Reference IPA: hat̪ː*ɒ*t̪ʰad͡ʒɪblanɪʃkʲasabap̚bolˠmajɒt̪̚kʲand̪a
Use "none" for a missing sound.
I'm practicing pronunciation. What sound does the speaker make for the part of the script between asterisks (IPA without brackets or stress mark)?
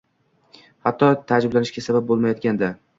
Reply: ɒ